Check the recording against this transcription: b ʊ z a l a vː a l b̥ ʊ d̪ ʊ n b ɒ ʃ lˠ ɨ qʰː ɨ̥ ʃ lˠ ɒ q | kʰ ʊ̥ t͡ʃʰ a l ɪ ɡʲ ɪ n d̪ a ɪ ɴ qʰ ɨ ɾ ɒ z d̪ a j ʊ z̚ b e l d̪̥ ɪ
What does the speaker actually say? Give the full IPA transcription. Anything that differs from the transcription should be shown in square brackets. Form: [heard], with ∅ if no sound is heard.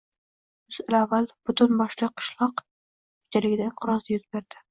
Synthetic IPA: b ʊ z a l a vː a l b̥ ʊ [t̪] ʊ n b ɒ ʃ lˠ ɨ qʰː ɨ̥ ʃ lˠ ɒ q | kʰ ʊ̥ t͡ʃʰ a l ɪ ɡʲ ɪ [∅] d̪ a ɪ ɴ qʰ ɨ ɾ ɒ z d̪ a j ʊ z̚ b e [ɾ] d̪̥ ɪ